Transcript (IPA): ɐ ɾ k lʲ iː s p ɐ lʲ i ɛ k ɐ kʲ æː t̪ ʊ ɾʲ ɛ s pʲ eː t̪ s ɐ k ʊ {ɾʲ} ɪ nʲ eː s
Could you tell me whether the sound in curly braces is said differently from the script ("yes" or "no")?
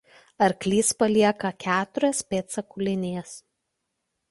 yes